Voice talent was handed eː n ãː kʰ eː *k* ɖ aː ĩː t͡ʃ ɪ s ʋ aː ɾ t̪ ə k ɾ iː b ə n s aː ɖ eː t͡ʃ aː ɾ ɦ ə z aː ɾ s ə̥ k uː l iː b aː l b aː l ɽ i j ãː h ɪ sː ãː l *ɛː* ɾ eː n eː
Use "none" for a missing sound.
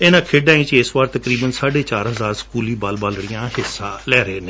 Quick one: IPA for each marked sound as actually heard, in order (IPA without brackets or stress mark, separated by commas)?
none, ɛː